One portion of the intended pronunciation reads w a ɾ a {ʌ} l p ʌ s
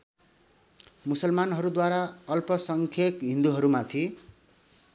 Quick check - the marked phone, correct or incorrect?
correct